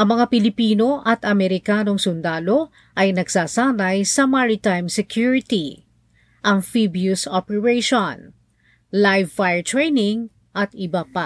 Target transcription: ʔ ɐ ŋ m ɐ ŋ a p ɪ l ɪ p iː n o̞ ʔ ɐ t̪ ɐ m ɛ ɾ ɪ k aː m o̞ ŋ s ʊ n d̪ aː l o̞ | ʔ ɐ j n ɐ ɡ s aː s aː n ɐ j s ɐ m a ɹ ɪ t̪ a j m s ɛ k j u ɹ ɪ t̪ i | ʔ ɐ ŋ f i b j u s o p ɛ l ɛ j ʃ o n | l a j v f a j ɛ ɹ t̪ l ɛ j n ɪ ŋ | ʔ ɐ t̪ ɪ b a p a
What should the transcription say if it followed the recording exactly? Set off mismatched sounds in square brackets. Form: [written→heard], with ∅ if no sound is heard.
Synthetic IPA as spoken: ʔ ɐ ŋ m ɐ ŋ a p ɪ l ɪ p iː n o̞ ʔ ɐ t̪ ɐ m ɛ ɾ ɪ k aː [m→n] o̞ ŋ s ʊ n d̪ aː l o̞ | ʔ ɐ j n ɐ ɡ s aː s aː n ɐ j s ɐ m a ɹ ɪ t̪ a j m s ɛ k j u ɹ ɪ t̪ i | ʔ ɐ ŋ f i b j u s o p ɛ [l→ɹ] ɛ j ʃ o n | l a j v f a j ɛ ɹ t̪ [l→ɹ] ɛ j n ɪ ŋ | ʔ ɐ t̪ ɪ b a p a